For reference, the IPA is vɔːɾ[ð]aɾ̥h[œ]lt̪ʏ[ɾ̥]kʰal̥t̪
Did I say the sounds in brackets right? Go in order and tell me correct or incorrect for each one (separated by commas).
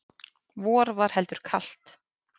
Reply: incorrect, incorrect, correct